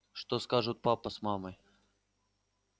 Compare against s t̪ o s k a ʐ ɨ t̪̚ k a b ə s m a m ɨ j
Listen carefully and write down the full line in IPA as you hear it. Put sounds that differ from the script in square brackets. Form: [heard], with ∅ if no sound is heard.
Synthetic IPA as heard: [ʂ] t̪ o s k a ʐ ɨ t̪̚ [p] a [p] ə s m a m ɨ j